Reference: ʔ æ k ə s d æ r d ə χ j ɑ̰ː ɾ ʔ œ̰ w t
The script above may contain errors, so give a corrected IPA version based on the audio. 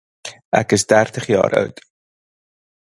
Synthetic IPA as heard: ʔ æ k ə s d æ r t ə χ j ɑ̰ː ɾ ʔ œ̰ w t